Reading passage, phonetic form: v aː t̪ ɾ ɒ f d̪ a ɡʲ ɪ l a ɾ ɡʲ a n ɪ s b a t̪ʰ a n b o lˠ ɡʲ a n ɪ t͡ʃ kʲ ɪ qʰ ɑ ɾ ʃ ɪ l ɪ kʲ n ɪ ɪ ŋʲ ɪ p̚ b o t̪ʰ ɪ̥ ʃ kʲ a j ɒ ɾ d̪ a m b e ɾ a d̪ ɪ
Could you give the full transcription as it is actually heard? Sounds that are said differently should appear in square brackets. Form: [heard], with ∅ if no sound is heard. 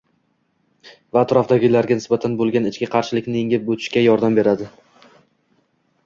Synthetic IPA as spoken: v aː t̪ ɾ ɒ f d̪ a ɡʲ ɪ l a ɾ ɡʲ a n ɪ s b a t̪ʰ a n b o lˠ ɡʲ a n ɪ t͡ʃ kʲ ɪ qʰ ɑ ɾ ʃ ɪ l ɪ kʲ n ɪ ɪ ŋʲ ɪ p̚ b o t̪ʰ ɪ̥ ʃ kʲ a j ɒ ɾ d̪ a m b e ɾ a d̪ ɪ